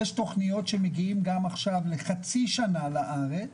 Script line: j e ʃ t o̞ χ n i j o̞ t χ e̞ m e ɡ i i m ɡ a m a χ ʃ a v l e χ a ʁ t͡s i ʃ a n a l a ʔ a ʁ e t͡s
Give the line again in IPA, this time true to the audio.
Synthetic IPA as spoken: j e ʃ t o̞ χ n i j o̞ t ʃ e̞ m e ɡ i i m ɡ a m a χ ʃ a v l e χ a t͡s i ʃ a n a l a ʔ a ʁ e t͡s